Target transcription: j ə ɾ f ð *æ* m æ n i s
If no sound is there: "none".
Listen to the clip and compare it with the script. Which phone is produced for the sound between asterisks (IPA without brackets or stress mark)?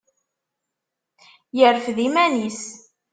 i